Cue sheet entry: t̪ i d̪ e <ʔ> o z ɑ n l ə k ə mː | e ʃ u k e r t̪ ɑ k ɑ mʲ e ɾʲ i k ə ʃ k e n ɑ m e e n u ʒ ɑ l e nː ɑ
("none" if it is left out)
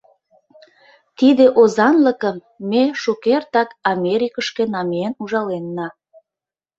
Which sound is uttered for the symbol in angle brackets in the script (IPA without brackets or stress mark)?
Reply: ʔ